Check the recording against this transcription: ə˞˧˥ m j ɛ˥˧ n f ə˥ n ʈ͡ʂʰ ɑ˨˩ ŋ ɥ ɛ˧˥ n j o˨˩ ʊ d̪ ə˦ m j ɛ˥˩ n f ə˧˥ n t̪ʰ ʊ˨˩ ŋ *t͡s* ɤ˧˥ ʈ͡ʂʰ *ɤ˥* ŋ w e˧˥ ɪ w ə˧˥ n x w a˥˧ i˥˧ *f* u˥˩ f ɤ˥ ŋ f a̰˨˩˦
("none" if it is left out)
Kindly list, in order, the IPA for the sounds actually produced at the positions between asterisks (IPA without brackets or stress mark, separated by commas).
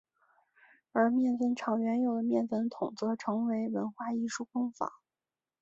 t͡s, ɤ˧˥, ʂ